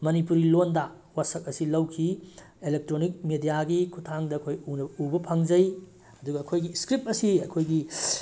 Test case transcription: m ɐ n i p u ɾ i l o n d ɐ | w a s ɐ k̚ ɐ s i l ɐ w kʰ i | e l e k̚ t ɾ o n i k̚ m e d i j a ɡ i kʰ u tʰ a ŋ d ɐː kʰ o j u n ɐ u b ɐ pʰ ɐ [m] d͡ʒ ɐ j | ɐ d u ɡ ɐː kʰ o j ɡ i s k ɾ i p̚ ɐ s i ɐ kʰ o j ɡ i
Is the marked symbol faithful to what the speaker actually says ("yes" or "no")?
no